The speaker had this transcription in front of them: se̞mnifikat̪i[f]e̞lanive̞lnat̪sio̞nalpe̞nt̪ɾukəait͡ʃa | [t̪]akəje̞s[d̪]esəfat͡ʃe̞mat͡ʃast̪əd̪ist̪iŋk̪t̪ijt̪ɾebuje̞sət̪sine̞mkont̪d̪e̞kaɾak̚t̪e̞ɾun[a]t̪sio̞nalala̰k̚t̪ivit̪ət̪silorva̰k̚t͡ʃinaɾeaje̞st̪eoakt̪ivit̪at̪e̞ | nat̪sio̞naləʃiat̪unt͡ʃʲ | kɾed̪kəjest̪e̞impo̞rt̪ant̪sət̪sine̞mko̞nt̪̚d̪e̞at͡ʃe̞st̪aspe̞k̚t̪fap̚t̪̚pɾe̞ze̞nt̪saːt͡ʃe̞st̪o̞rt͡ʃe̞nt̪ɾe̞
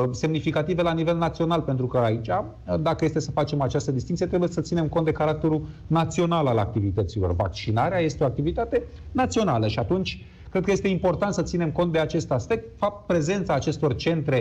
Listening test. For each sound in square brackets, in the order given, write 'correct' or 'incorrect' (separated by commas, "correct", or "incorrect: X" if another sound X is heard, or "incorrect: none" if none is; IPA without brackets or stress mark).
incorrect: v, incorrect: d̪, incorrect: t̪, correct